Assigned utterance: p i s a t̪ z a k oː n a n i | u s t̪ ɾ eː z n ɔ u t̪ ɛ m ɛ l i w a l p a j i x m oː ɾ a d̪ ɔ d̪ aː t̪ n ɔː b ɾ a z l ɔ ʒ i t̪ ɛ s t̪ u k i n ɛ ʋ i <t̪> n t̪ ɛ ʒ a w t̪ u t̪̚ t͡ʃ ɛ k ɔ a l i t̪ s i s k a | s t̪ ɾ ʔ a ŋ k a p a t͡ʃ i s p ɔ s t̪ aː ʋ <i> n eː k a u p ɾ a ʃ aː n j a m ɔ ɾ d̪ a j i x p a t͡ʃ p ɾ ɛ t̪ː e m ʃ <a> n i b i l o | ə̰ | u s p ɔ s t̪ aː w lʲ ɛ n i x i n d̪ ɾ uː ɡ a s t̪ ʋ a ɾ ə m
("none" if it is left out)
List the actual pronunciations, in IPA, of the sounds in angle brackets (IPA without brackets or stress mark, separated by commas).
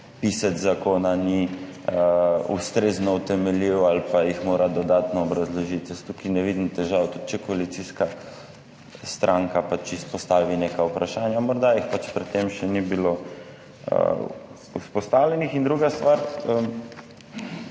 d̪, i, ɛ